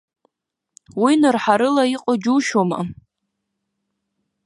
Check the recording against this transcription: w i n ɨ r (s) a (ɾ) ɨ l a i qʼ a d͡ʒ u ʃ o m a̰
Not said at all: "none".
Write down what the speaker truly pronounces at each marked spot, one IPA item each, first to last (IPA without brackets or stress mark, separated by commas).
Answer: ħ, ɾ